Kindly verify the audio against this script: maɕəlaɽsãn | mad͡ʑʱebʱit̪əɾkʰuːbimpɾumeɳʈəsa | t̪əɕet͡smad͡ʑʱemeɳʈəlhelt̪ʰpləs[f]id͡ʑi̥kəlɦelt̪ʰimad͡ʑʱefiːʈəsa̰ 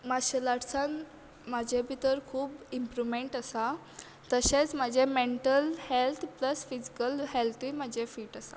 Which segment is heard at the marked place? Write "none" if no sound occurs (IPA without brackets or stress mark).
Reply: f